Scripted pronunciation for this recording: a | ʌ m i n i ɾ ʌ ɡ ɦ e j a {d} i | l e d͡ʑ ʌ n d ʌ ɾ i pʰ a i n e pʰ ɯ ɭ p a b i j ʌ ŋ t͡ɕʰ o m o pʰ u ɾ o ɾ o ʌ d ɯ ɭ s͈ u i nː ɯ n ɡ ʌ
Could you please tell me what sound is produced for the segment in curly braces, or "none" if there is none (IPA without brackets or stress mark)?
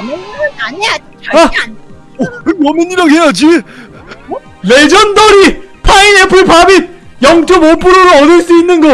d͡ʑ